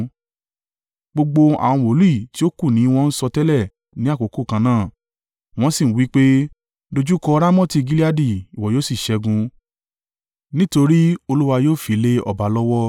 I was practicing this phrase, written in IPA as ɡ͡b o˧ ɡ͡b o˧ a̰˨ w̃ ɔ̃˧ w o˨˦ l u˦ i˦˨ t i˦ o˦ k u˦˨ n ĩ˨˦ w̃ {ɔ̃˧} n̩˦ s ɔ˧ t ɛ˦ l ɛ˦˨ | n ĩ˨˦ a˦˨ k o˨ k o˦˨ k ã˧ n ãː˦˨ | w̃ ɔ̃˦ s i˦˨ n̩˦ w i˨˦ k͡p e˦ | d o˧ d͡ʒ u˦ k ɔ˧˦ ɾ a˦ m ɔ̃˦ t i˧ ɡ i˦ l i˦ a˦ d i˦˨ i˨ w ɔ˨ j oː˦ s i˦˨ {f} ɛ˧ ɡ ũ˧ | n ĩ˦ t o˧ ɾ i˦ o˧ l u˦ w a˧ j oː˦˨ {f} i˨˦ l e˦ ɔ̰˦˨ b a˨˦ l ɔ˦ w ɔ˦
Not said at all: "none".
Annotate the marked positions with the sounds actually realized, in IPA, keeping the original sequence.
ɔ̃˧, ʃ, f

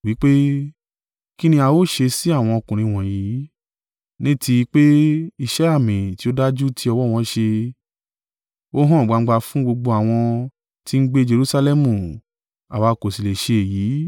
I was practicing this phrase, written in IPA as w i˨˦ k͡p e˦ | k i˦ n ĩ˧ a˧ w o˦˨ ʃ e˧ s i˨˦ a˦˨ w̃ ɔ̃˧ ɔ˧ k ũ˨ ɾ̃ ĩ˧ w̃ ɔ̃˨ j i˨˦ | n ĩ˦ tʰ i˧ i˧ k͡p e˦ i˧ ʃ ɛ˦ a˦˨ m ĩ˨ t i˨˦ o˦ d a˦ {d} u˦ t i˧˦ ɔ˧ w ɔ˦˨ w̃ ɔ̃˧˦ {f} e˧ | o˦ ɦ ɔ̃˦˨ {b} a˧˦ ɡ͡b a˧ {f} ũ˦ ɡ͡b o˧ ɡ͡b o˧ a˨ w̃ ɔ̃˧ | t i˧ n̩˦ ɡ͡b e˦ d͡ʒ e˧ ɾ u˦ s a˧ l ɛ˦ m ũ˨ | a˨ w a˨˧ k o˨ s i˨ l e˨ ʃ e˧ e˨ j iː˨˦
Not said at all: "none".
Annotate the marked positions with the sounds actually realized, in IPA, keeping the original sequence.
d͡ʒ, ʃ, ɡ͡b, f

